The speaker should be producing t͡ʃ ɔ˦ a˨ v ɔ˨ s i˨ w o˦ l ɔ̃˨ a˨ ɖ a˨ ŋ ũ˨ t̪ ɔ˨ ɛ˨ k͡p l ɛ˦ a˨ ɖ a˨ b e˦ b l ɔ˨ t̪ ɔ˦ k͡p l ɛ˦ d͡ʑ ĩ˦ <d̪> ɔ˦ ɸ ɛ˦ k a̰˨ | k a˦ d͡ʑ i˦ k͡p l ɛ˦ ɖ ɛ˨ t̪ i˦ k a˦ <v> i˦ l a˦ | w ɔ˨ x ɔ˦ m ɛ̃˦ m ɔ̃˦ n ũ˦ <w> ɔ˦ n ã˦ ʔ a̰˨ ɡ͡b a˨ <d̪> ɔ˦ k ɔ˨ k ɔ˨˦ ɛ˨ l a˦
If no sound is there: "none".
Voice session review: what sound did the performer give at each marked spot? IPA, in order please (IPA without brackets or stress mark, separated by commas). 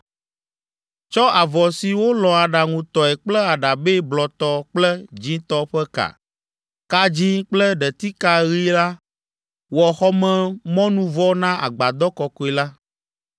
t̪, ɣ, v, d̪